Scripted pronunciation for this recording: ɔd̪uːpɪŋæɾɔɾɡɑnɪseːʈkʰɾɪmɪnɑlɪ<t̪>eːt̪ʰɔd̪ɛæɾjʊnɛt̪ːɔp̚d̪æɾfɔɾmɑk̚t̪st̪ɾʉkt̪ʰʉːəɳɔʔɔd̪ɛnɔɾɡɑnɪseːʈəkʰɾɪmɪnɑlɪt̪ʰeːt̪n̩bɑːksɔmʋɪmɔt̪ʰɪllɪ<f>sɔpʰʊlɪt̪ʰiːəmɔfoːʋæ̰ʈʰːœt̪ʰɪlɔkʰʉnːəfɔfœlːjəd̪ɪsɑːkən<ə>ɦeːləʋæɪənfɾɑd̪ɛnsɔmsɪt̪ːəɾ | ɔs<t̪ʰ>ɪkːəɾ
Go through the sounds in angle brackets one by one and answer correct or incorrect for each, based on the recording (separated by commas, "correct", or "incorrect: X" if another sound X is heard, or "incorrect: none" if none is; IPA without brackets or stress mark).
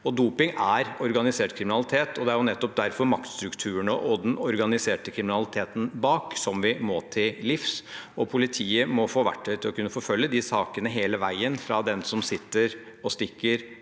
incorrect: t̪ʰ, correct, correct, incorrect: t̪